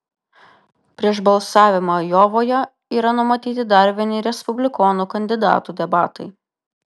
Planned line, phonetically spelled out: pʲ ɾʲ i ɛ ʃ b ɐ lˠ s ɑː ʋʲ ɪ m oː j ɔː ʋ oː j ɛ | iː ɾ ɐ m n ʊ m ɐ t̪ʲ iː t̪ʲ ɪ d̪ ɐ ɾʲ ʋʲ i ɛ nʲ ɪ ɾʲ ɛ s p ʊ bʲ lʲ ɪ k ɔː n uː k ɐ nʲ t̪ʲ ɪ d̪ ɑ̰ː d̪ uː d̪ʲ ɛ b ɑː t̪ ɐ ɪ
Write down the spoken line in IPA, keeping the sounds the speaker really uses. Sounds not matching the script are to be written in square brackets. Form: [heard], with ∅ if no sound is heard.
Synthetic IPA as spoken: pʲ ɾʲ i ɛ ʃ b ɐ lˠ s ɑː ʋʲ ɪ m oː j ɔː ʋ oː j ɛ | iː ɾ ɐ [∅] n ʊ m ɐ t̪ʲ iː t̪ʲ ɪ d̪ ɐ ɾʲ ʋʲ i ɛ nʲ ɪ ɾʲ ɛ s p ʊ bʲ lʲ ɪ k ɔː n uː k ɐ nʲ [d̪ʲ] ɪ d̪ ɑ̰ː [t̪] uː d̪ʲ ɛ b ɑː t̪ ɐ ɪ

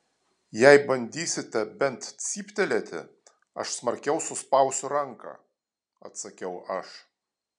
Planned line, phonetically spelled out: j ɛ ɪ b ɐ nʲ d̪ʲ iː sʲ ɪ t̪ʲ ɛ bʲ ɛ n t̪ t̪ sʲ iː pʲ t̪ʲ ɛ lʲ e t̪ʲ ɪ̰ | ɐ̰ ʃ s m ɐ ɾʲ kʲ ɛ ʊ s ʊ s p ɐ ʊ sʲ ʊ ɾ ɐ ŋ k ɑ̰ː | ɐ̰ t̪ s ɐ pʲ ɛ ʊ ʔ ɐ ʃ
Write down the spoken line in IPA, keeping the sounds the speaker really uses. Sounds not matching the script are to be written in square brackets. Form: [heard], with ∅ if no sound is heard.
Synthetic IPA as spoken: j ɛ ɪ b ɐ nʲ d̪ʲ iː sʲ ɪ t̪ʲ ɛ bʲ ɛ n t̪ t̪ sʲ iː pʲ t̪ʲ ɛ lʲ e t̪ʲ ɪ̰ | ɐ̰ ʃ s m ɐ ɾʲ kʲ ɛ ʊ s ʊ s p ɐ ʊ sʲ ʊ ɾ ɐ ŋ k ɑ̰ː | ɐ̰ t̪ s ɐ [kʲ] ɛ ʊ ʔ ɐ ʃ

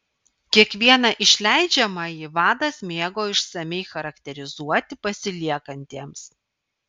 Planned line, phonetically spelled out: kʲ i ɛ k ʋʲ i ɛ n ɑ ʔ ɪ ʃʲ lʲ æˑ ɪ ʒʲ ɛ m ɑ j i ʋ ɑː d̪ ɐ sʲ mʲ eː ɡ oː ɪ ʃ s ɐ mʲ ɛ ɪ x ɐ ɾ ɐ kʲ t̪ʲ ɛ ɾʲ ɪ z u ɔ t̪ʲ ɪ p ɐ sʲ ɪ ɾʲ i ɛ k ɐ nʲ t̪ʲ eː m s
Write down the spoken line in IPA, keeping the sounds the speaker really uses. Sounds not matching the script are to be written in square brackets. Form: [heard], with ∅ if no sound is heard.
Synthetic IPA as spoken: kʲ i ɛ k ʋʲ i ɛ n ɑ ʔ ɪ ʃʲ lʲ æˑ ɪ [d͡ʒʲ] ɛ m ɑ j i ʋ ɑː d̪ ɐ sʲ mʲ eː ɡ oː ɪ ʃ s ɐ mʲ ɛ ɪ x ɐ ɾ ɐ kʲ t̪ʲ ɛ ɾʲ ɪ z u ɔ t̪ʲ ɪ p ɐ sʲ ɪ [lʲ] i ɛ k ɐ nʲ t̪ʲ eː m s

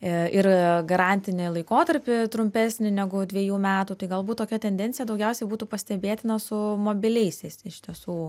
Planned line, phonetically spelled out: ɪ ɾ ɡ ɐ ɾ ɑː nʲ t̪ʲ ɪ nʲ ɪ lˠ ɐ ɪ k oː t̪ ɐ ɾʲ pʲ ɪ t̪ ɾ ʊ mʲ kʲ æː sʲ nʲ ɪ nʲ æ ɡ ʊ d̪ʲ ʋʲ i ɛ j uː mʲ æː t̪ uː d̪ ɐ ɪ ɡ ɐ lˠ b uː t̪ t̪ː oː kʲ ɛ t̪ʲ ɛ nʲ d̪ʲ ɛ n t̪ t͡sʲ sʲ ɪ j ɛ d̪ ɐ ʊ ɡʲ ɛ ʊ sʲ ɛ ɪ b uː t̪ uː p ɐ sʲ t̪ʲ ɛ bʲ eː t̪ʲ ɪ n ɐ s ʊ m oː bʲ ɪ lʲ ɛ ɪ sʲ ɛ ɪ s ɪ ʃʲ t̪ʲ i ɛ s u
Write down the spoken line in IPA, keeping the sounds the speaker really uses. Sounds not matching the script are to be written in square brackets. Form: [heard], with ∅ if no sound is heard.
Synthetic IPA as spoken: ɪ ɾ ɡ ɐ ɾ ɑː nʲ t̪ʲ ɪ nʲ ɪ lˠ ɐ ɪ k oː t̪ ɐ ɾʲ pʲ ɪ t̪ ɾ ʊ mʲ [pʲ] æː sʲ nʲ ɪ nʲ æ ɡ ʊ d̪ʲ ʋʲ i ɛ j uː mʲ æː t̪ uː [t̪] ɐ ɪ ɡ ɐ lˠ b uː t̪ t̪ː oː kʲ ɛ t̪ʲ ɛ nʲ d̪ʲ ɛ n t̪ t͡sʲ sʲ ɪ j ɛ d̪ ɐ ʊ ɡʲ ɛ ʊ sʲ ɛ ɪ b uː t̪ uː p ɐ sʲ t̪ʲ ɛ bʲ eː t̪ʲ ɪ n ɐ s ʊ m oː bʲ ɪ lʲ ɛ ɪ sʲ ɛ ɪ s ɪ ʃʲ t̪ʲ i ɛ s [uː]

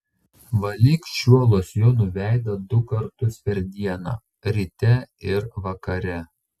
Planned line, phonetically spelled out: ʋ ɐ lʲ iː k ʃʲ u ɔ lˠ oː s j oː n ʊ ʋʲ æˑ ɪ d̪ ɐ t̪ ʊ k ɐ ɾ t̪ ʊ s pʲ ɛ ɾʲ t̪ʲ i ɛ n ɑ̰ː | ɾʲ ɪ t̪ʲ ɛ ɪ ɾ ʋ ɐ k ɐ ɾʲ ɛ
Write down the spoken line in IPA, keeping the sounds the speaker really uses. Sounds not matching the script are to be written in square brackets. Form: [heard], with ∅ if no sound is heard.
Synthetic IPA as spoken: ʋ ɐ lʲ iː k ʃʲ u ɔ lˠ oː s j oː n ʊ ʋʲ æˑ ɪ d̪ ɐ [d̪] ʊ k ɐ ɾ t̪ ʊ s pʲ ɛ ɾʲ [d̪ʲ] i ɛ n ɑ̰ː | ɾʲ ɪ t̪ʲ ɛ ɪ ɾ ʋ ɐ k ɐ ɾʲ ɛ

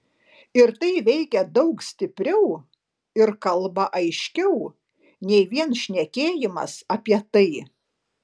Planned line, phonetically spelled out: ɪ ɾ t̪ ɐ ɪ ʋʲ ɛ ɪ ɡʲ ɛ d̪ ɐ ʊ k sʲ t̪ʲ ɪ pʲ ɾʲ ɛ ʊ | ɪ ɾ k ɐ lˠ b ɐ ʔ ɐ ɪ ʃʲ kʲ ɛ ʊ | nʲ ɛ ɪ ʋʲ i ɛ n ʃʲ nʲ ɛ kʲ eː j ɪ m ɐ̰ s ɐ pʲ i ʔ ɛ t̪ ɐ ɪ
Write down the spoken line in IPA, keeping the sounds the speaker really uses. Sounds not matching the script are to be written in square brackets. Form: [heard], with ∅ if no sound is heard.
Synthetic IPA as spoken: ɪ ɾ t̪ ɐ ɪ ʋʲ ɛ ɪ [kʲ] ɛ d̪ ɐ ʊ k sʲ t̪ʲ ɪ pʲ ɾʲ ɛ ʊ | ɪ ɾ k ɐ lˠ b ɐ ʔ ɐ ɪ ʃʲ kʲ ɛ ʊ | nʲ ɛ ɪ ʋʲ i ɛ n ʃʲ nʲ ɛ kʲ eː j ɪ m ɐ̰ s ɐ pʲ i [∅] ɛ t̪ ɐ ɪ

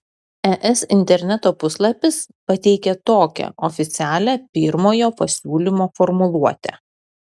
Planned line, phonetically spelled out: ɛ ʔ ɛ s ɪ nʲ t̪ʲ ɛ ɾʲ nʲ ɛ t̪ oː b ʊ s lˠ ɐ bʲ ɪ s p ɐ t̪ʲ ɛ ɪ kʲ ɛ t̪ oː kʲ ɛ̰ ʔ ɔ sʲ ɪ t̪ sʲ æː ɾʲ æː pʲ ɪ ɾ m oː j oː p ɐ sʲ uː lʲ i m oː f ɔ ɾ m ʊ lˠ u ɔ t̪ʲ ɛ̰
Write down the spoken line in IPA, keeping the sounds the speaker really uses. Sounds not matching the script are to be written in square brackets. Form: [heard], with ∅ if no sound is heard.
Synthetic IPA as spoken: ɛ ʔ ɛ s ɪ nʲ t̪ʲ ɛ ɾʲ nʲ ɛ t̪ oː [p] ʊ s lˠ ɐ [pʲ] ɪ s p ɐ t̪ʲ ɛ ɪ kʲ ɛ t̪ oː kʲ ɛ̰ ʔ ɔ [fʲ] ɪ t̪ sʲ æː [lʲ] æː pʲ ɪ ɾ m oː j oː p ɐ sʲ uː lʲ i m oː f ɔ ɾ m ʊ lˠ u ɔ t̪ʲ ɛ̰

